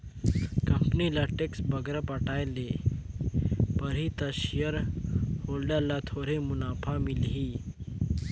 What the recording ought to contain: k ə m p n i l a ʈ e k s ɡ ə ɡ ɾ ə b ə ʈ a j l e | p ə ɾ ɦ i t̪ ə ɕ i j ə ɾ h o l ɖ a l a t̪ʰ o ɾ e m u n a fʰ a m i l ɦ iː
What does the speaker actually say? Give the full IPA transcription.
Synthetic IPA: k ə m p n i l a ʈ e k s b ə ɡ ɾ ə p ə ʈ a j l e | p ə ɾ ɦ i t̪ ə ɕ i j ə ɾ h o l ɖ a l a t̪ʰ o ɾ e m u n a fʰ a m i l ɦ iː